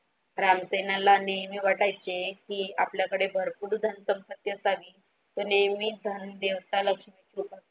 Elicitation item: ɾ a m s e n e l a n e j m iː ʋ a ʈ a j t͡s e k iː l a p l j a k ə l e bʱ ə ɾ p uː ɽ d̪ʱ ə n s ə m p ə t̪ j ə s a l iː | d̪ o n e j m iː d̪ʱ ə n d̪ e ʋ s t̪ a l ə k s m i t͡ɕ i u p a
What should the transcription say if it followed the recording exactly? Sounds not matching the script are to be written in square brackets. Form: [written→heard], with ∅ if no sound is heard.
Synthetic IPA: ɾ a m s e n [e→a] l a n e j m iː ʋ a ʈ a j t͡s e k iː [l→∅] a p l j a k ə [l→ɽ] e bʱ ə ɾ p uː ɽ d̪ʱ ə n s ə m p ə t̪ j ə s a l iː | [d̪→t̪] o n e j m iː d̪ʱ ə n d̪ e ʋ s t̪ a l ə k [s→ʂ] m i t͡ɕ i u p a

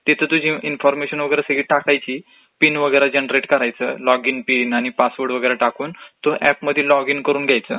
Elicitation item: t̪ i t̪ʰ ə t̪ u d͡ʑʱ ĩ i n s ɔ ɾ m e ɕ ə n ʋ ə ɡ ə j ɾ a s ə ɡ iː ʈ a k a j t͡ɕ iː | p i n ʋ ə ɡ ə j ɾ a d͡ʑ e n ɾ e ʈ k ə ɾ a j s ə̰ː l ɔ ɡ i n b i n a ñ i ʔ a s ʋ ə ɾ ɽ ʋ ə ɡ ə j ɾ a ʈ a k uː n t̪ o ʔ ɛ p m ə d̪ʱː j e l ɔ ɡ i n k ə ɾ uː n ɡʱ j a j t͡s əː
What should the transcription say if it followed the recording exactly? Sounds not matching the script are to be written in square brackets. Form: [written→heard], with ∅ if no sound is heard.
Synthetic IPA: t̪ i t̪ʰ ə t̪ u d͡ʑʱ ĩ i n [s→f] ɔ ɾ m e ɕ ə n ʋ ə ɡ ə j ɾ a s ə ɡ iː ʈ a k a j t͡ɕ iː | p i n ʋ ə ɡ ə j ɾ a d͡ʑ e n ɾ e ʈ k ə ɾ a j [s→t͡s] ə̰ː l ɔ ɡ i n [b→p] i n a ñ i [ʔ→p] a s ʋ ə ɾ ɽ ʋ ə ɡ ə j ɾ a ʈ a k uː n t̪ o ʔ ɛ p m ə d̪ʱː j e l ɔ ɡ i n k ə ɾ uː n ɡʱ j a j t͡s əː

